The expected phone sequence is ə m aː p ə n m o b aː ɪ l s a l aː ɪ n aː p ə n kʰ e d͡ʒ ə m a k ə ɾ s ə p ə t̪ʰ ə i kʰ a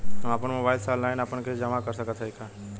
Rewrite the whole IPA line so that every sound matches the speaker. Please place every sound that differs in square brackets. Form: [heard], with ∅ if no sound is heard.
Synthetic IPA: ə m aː p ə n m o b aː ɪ l s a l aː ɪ n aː p ə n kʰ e d͡ʒ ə m a k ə ɾ s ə [k] ə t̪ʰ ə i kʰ a